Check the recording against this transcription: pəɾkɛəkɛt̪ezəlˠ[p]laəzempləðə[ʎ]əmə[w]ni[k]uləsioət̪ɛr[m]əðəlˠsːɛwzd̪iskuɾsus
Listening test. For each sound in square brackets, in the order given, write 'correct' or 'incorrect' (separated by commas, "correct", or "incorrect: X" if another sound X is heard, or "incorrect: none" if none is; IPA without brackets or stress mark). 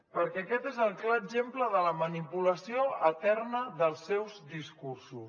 incorrect: k, incorrect: l, incorrect: none, incorrect: p, incorrect: n